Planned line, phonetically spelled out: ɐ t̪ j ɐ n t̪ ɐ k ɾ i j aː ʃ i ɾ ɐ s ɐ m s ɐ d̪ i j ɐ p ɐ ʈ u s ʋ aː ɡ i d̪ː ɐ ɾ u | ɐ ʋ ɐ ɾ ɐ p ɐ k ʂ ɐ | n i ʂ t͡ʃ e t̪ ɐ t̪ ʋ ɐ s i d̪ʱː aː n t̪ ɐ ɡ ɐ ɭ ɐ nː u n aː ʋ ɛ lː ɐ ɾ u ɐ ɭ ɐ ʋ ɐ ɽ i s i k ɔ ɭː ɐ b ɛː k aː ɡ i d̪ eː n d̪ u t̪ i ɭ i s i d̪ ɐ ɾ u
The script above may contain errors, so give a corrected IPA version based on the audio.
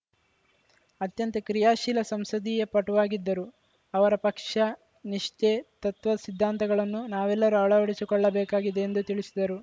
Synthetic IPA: ɐ t̪ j ɐ n t̪ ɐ k ɾ i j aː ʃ i l ɐ s ɐ m s ɐ d̪ i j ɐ p ɐ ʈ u ʋ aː ɡ i d̪ː ɐ ɾ u | ɐ ʋ ɐ ɾ ɐ p ɐ k ʂ ɐ | n i ʂ t͡ʃ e t̪ ɐ t̪ ʋ ɐ s i d̪ʱː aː n t̪ ɐ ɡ ɐ ɭ ɐ nː u n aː ʋ ɛ lː ɐ ɾ u ɐ ɭ ɐ ʋ ɐ ɽ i s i k ɔ ɭː ɐ b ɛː k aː ɡ i d̪ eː n d̪ u t̪ i ɭ i s i d̪ ɐ ɾ u